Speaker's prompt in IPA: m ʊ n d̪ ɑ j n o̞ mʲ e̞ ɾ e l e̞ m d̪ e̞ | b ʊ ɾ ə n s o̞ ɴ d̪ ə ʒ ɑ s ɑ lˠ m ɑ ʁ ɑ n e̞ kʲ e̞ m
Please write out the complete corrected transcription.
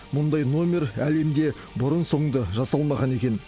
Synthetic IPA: m ʊ n d̪ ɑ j n o̞ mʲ e̞ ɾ æ l e̞ m d̪ e̞ | b ʊ ɾ ə n s o̞ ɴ d̪ ə ʒ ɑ s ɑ lˠ m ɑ ʁ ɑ n e̞ kʲ e̞ n